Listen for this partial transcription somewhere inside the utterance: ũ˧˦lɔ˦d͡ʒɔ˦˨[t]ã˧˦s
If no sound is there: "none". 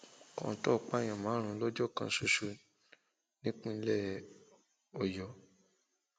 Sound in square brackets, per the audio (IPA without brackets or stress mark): k